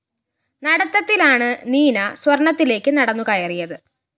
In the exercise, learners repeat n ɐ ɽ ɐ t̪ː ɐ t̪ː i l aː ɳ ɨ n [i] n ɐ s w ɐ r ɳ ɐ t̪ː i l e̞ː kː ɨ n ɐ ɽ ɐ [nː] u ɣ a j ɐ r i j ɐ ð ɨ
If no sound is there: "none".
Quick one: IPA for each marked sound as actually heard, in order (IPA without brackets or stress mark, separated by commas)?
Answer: iː, nː